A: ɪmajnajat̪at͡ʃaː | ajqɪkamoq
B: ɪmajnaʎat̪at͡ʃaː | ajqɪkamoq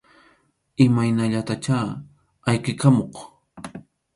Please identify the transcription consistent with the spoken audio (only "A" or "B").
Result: B